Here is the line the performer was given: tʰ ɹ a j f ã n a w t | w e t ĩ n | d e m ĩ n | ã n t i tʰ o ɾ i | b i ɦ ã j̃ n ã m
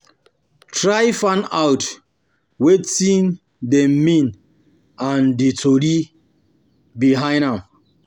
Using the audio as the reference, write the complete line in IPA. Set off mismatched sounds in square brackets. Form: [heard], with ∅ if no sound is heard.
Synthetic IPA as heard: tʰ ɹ a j f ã n a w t | w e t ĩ n | d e m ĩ n | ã n [d] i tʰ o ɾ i | b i ɦ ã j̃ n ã m